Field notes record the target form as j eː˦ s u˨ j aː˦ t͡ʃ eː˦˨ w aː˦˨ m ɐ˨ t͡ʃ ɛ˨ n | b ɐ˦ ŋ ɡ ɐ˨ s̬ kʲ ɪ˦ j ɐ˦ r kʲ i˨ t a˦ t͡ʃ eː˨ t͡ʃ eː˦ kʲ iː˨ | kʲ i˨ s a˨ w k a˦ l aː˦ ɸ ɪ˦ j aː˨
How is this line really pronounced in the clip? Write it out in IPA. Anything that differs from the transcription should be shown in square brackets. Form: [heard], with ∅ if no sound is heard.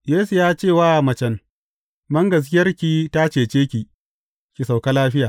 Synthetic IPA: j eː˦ s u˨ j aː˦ t͡ʃ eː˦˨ w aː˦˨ m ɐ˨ t͡ʃ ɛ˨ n | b ɐ˦ ŋ ɡ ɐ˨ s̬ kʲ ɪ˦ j ɐ˦ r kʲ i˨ t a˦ t͡ʃ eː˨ t͡ʃ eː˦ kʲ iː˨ | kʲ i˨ s a˨ w k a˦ l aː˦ ɸ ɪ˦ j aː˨